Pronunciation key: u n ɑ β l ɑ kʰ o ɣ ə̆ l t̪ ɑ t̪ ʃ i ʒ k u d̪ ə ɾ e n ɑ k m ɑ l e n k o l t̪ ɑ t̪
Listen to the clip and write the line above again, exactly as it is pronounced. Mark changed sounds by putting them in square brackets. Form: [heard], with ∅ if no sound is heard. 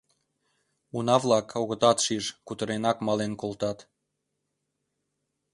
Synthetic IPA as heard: u n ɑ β l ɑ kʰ o ɣ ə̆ [∅] t̪ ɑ t̪ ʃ i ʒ k u [t̪] ə ɾ e n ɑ k m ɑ l e n k o l t̪ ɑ t̪